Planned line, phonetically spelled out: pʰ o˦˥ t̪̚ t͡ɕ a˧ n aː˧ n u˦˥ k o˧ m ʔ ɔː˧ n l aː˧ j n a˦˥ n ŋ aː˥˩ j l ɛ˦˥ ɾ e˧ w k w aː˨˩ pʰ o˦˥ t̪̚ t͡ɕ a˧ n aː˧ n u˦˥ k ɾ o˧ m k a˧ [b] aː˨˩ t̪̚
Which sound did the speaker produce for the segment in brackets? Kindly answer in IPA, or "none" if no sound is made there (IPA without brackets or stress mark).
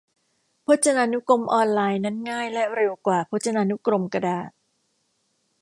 d